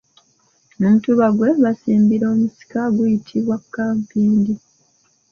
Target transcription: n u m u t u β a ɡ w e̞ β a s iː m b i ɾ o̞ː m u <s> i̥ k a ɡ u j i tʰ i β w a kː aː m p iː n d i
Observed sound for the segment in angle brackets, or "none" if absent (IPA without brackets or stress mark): s